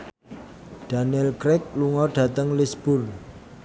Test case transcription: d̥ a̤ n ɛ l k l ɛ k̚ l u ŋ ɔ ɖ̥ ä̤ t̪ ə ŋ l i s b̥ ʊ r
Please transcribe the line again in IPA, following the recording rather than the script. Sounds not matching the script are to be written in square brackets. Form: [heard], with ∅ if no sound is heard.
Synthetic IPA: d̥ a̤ n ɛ l k [ɾ] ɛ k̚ l u ŋ ɔ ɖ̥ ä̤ t̪ ə ŋ l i s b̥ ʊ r